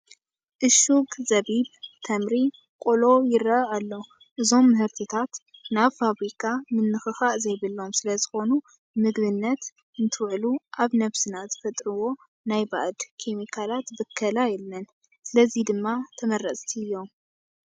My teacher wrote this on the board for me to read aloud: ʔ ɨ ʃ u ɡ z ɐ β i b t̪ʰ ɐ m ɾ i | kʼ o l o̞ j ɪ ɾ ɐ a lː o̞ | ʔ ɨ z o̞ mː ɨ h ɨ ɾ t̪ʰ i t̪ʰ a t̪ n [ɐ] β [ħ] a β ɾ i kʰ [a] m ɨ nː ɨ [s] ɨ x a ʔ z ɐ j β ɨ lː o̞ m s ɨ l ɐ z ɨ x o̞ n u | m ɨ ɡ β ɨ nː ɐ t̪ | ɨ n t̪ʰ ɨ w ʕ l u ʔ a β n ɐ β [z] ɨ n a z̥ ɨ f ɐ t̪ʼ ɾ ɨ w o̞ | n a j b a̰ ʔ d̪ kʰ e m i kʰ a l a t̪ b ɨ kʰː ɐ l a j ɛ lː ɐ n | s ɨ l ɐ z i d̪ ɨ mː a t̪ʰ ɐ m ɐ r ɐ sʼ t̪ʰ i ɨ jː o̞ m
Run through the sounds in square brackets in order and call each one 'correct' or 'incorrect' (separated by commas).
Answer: incorrect, incorrect, correct, incorrect, incorrect